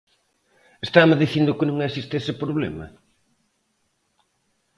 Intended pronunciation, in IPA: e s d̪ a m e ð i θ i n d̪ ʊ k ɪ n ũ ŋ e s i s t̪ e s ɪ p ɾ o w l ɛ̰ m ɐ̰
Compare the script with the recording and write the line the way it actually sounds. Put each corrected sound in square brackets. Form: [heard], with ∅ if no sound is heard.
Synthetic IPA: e s [t̪] a m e ð i θ i n d̪ ʊ k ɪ n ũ ŋ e s i s t̪ e s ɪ p ɾ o [β] l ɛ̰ m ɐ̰